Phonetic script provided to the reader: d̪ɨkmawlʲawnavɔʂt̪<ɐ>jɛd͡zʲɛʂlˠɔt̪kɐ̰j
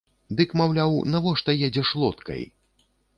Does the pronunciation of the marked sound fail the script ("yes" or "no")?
no